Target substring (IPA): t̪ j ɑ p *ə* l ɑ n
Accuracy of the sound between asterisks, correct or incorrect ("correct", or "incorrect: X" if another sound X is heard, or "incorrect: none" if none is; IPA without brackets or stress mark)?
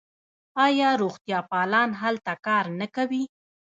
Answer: incorrect: ɑ